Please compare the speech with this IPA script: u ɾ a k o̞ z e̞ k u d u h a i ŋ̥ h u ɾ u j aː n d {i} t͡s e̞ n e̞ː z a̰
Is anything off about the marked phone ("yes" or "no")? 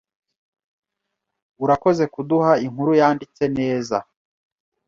no